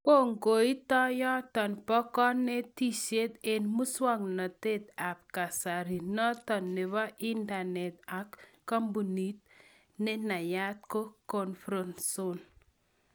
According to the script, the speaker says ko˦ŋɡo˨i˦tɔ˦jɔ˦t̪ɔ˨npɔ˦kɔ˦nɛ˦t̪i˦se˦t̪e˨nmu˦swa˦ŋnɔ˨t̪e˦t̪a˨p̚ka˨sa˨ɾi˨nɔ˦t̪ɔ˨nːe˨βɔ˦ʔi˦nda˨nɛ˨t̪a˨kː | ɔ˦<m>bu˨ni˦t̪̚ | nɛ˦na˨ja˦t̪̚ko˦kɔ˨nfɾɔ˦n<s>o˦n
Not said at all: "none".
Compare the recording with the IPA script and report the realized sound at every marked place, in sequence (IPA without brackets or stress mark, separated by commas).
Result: m, s